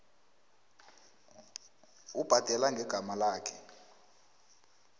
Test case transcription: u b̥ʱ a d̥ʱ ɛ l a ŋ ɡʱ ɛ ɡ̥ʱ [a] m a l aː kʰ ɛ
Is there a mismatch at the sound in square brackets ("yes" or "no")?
no